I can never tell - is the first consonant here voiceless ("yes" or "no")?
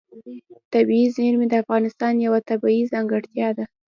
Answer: yes